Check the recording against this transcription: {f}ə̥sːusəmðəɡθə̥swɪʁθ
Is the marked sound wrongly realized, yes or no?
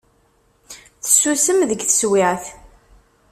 yes